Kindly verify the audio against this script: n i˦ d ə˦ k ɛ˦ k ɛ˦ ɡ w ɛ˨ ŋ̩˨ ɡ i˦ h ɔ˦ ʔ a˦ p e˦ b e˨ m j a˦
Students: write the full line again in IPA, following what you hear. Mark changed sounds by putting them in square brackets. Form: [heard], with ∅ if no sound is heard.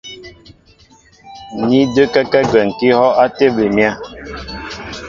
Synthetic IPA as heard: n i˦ d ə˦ k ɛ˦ k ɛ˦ ɡ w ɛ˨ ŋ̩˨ [k] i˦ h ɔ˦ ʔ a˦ [t] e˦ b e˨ m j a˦